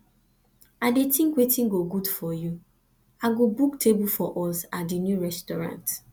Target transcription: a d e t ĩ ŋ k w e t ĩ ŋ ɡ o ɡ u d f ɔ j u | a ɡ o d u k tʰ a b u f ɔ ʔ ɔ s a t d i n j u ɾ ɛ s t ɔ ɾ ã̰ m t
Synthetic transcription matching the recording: a d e t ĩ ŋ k w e t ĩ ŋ ɡ o ɡ u d f ɔ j u | a ɡ o b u k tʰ e b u f ɔ ʔ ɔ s a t d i n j u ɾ ɛ s t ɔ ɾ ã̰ n t